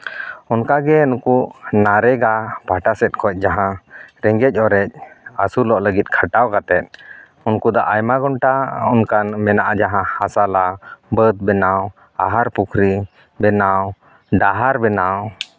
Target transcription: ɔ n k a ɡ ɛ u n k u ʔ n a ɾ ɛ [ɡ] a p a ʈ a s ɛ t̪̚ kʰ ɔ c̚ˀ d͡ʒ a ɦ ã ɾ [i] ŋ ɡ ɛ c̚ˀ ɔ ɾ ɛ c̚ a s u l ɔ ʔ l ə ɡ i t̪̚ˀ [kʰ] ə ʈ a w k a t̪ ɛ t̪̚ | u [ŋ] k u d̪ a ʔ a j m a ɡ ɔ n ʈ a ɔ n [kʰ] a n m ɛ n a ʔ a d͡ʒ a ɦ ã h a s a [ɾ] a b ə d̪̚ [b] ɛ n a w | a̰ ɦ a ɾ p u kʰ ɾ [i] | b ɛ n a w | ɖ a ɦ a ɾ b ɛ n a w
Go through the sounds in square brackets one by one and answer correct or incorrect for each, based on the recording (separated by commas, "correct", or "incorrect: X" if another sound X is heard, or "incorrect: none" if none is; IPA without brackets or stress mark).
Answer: correct, incorrect: ɛ, correct, incorrect: n, incorrect: k, incorrect: l, correct, correct